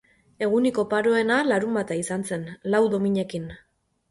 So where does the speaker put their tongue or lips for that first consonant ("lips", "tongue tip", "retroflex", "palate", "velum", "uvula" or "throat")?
velum